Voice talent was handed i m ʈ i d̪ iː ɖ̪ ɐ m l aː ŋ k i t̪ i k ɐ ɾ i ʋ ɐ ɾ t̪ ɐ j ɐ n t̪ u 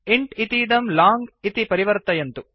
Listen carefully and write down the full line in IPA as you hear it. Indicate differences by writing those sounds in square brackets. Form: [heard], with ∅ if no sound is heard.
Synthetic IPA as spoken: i [ɳ] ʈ i [t̪] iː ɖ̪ ɐ m l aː ŋ [ɡ] i t̪ i [p] ɐ ɾ i ʋ ɐ ɾ t̪ ɐ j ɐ n t̪ u

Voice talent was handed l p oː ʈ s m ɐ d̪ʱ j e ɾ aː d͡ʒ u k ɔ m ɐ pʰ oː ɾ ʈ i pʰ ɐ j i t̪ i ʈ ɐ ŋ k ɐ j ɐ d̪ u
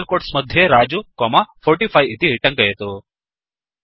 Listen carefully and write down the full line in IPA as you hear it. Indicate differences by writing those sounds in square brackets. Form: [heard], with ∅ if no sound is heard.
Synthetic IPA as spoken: l [k] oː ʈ s m ɐ d̪ʱ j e ɾ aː d͡ʒ u k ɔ m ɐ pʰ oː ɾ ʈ i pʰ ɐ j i t̪ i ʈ ɐ ŋ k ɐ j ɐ [t̪] u

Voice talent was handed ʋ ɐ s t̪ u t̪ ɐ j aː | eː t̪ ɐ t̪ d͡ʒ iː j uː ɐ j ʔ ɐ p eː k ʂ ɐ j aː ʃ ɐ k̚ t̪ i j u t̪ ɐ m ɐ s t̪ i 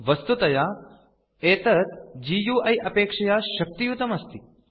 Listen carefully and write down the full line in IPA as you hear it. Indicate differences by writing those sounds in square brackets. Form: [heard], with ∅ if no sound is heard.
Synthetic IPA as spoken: ʋ ɐ s t̪ u t̪ ɐ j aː | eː t̪ ɐ t̪ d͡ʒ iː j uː ɐ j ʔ ɐ p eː k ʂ ɐ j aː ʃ ɐ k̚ t̪ i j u t̪ ɐ m ɐ s t̪ i

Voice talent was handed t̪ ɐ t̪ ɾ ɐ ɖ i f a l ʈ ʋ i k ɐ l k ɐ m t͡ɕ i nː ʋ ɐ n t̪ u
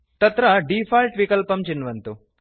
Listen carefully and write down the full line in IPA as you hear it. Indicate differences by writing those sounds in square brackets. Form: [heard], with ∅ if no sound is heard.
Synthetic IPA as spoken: t̪ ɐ t̪ ɾ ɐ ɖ i f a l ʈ ʋ i k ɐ l [p] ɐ m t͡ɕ i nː ʋ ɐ n t̪ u

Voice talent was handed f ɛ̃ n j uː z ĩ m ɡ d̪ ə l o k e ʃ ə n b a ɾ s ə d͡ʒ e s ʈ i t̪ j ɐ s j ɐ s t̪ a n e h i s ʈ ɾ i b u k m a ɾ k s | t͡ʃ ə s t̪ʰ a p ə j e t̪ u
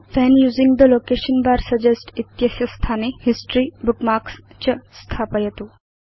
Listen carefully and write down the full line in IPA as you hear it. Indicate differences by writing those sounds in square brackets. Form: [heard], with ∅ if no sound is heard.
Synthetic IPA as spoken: f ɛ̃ n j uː z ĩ [ŋ] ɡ d̪ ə l o k e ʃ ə n b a ɾ s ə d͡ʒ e s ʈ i t̪ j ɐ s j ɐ s [t̪ʰ] a n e h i s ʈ ɾ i b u k m a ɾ k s | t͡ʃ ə s t̪ʰ a p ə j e t̪ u

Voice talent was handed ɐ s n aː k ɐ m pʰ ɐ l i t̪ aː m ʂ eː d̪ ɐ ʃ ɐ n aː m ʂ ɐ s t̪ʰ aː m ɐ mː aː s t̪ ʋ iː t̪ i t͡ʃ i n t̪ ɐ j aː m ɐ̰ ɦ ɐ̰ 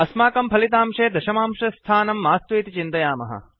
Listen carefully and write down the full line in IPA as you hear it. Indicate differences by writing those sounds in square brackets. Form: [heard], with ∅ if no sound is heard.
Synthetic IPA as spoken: ɐ s [m] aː k ɐ m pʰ ɐ l i t̪ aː m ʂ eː d̪ ɐ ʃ ɐ [m] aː m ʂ ɐ s t̪ʰ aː [n] ɐ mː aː s t̪ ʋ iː t̪ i t͡ʃ i n t̪ ɐ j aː m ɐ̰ ɦ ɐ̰

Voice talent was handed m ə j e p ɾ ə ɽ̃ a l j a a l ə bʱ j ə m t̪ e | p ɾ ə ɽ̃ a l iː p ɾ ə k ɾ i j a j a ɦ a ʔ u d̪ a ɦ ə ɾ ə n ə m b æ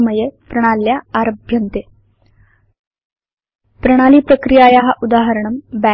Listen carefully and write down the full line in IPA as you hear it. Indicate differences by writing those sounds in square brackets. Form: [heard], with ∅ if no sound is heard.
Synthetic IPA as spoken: m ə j e p ɾ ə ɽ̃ a l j a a [ɾ] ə bʱ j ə [n] t̪ e | p ɾ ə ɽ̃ a l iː p ɾ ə k ɾ i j a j a ɦ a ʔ u d̪ a ɦ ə ɾ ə [ɳ] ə m b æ

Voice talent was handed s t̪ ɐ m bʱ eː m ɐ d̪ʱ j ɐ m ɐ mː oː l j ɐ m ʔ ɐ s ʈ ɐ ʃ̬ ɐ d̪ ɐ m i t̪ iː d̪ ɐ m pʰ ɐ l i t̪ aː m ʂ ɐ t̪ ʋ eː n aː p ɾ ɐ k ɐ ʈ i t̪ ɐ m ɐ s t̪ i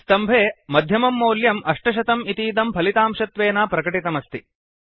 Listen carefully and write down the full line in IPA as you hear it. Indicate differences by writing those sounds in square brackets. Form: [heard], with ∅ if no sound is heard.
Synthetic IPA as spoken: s t̪ ɐ m bʱ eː m ɐ d̪ʱ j ɐ m ɐ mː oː l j ɐ m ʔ ɐ [ʂ] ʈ ɐ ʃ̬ ɐ [t̪] ɐ m i t̪ iː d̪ ɐ m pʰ ɐ l i t̪ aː m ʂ ɐ t̪ ʋ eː n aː p ɾ ɐ k ɐ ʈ i t̪ ɐ m ɐ s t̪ i

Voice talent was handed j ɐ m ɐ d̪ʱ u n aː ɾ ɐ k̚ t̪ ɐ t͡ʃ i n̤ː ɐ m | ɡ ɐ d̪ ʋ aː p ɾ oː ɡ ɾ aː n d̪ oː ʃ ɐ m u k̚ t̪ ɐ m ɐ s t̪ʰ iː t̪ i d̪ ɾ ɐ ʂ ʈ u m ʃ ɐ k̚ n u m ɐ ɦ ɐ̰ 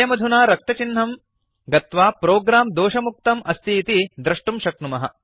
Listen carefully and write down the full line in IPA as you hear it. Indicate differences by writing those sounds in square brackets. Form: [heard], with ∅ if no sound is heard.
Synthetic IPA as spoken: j ɐ m ɐ d̪ʱ u n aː ɾ ɐ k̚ t̪ ɐ t͡ʃ i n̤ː ɐ m | ɡ ɐ [t̪] ʋ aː p ɾ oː ɡ ɾ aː [m] d̪ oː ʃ ɐ m u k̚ t̪ ɐ m ɐ s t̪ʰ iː t̪ i d̪ ɾ ɐ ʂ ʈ u m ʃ ɐ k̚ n u m ɐ ɦ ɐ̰

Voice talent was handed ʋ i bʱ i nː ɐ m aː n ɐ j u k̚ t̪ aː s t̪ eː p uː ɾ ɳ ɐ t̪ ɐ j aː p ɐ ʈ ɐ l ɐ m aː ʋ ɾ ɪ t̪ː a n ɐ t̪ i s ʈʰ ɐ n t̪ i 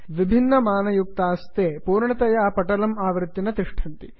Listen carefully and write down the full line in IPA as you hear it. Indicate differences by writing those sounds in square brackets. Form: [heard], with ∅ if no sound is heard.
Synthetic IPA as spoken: ʋ i bʱ i nː ɐ m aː n ɐ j u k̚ t̪ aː s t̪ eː p uː ɾ ɳ ɐ t̪ ɐ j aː p ɐ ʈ ɐ l ɐ m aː ʋ ɾ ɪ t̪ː [i] n ɐ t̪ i [ʂ] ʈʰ ɐ n t̪ i

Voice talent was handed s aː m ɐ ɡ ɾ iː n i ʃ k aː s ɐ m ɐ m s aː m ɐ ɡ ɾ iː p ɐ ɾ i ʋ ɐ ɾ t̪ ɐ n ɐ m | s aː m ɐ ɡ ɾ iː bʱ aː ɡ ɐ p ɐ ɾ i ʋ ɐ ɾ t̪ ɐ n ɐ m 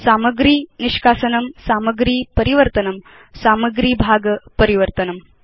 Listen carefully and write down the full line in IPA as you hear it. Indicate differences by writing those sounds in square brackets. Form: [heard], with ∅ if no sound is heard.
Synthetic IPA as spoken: s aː m ɐ ɡ ɾ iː n i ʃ k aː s ɐ [n] ɐ m s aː m ɐ ɡ ɾ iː p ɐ ɾ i ʋ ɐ ɾ t̪ ɐ n ɐ m | s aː m ɐ ɡ ɾ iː bʱ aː ɡ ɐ p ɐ ɾ i ʋ ɐ ɾ t̪ ɐ n ɐ m

